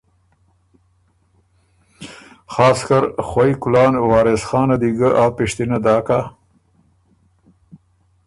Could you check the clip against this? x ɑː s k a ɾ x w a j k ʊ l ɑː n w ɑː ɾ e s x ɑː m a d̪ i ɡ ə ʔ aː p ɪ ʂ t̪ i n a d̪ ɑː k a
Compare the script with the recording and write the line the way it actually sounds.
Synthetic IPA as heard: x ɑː s k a ɾ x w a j k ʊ l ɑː n w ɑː ɾ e s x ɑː n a d̪ i ɡ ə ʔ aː p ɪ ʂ t̪ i n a d̪ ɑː k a